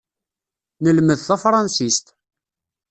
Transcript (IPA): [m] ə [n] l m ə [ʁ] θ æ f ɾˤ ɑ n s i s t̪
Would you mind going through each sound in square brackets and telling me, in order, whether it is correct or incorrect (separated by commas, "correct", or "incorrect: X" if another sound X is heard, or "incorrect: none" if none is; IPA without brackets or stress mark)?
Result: incorrect: n, incorrect: none, incorrect: ð